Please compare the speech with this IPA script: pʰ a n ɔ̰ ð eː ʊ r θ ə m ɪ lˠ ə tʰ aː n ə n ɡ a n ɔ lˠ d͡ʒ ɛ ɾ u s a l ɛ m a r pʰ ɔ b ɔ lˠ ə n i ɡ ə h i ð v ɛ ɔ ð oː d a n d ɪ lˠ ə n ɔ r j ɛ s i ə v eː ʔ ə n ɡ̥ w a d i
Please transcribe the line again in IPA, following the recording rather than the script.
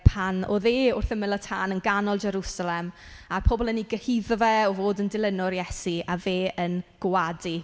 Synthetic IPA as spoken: pʰ a n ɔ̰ ð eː ʊ r θ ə m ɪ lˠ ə tʰ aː n ə n ɡ a n ɔ lˠ d͡ʒ ɛ ɾ u s a l ɛ m a r pʰ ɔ b ɔ lˠ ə n i ɡ ə h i ð v ɛ ɔ v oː d ə n d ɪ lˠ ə n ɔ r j ɛ s i a v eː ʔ ə n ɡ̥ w a d i

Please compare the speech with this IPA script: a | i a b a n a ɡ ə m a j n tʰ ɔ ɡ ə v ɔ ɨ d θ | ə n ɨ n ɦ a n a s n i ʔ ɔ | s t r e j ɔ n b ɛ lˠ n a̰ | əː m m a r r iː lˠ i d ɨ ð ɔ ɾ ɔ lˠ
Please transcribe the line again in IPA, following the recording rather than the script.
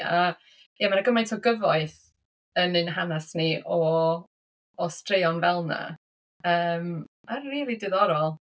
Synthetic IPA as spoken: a | j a m a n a ɡ ə m a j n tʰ ɔ ɡ ə v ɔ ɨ θ | ə n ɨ n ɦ a n a s n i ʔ ɔ | s t r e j ɔ n v ɛ lˠ n a̰ | əː m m a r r iː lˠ i d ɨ ð ɔ ɾ ɔ lˠ

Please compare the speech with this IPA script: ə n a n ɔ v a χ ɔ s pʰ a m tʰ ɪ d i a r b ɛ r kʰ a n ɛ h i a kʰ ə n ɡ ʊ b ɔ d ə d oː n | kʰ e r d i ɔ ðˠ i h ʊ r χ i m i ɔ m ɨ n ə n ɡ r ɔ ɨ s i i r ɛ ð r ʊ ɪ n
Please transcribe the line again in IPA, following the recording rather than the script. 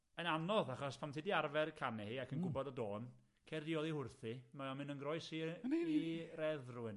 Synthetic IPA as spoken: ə n a n ɔ ð a χ ɔ s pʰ a m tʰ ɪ d i a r v ɛ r kʰ a n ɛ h i a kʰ ə n ɡ ʊ b ɔ d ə d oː n | kʰ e r d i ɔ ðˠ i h ʊ r θ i m a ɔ m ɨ n ə n ɡ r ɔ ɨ s i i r ɛ ð r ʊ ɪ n

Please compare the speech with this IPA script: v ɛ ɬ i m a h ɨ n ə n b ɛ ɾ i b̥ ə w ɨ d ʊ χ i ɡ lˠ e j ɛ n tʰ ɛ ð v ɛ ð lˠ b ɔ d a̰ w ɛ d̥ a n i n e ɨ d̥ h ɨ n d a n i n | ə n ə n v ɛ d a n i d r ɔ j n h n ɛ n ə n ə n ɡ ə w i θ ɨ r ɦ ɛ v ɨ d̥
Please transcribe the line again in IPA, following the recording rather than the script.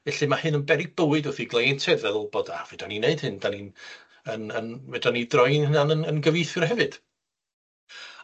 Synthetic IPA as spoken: v ɛ ɬ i m a h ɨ n ə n b ɛ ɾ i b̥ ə w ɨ d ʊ θ i ɡ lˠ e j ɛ n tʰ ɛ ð v ɛ ð lˠ b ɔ d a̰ v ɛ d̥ a n i n e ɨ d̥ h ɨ n d a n i n | ə n ə n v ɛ d a n i d r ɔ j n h n a n ə n ə n ɡ ə v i θ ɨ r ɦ ɛ v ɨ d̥

